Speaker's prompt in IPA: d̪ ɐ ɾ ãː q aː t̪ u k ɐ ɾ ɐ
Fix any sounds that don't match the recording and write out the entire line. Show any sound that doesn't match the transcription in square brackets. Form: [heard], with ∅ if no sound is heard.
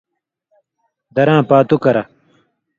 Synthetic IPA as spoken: d̪ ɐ ɾ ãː [p] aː t̪ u k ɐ ɾ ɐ